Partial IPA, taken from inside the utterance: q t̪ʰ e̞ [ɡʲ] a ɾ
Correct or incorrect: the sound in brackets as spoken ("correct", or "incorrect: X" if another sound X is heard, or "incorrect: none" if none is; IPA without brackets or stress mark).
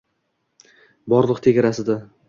correct